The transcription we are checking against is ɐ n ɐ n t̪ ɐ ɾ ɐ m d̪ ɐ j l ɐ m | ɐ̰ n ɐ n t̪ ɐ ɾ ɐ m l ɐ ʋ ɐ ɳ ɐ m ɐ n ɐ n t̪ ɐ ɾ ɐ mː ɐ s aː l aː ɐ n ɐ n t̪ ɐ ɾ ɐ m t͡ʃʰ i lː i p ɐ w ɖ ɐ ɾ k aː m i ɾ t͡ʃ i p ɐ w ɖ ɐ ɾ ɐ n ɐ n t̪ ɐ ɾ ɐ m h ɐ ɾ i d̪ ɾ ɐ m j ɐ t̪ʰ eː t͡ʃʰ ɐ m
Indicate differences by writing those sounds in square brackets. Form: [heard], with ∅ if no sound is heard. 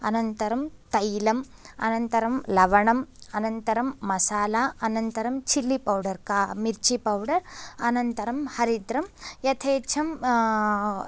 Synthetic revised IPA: ɐ n ɐ n t̪ ɐ ɾ ɐ m [t̪] ɐ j l ɐ m | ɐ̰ n ɐ n t̪ ɐ ɾ ɐ m l ɐ ʋ ɐ ɳ ɐ m ɐ n ɐ n t̪ ɐ ɾ ɐ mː ɐ s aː l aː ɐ n ɐ n t̪ ɐ ɾ ɐ m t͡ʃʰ i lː i p ɐ w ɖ ɐ ɾ k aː m i ɾ t͡ʃ i p ɐ w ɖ ɐ ɾ ɐ n ɐ n t̪ ɐ ɾ ɐ m h ɐ ɾ i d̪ ɾ ɐ m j ɐ t̪ʰ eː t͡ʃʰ ɐ m